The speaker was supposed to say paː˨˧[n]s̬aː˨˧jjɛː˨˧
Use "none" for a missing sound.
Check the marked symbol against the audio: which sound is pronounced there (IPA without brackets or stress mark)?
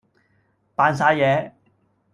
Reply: n